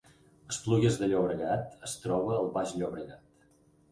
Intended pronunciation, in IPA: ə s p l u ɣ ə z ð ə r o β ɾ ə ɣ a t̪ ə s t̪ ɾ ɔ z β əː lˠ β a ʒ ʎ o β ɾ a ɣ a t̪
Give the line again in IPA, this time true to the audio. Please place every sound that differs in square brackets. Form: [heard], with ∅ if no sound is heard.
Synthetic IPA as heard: ə s p l u ɣ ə z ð ə [ʎ] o β ɾ ə ɣ a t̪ ə s t̪ ɾ ɔ [∅] β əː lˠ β a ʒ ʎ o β ɾ [ə] ɣ a t̪